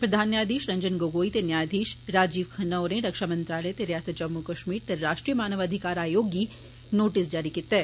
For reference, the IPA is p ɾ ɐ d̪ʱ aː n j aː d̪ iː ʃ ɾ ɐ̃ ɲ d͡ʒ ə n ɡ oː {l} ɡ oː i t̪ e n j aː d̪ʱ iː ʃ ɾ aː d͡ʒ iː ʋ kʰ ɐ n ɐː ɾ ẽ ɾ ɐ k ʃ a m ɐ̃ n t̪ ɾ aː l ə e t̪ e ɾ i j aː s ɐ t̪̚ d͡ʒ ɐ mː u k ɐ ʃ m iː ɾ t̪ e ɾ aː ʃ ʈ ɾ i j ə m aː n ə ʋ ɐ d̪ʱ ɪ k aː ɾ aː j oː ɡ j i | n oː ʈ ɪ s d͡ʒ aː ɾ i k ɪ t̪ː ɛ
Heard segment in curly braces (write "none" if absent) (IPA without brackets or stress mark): none